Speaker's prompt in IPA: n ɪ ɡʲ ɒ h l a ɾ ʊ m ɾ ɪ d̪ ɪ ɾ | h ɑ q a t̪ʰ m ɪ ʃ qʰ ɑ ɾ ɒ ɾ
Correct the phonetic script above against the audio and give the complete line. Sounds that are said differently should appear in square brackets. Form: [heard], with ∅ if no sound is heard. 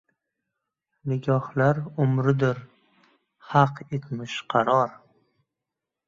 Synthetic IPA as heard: n ɪ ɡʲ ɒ h l a ɾ ʊ m ɾ ɪ d̪ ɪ ɾ | h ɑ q [e] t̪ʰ m ɪ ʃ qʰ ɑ ɾ ɒ ɾ